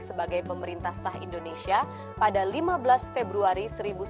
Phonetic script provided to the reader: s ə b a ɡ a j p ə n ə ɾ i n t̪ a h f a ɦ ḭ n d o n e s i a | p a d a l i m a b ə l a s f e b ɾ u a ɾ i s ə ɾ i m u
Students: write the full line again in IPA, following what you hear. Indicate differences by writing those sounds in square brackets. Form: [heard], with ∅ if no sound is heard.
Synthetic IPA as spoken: s ə b a ɡ a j p ə [m] ə ɾ i n t̪ a h [s] a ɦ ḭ n d o n e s i a | p a d a l i m a b ə l a s f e b ɾ u a ɾ i s ə ɾ i [b] u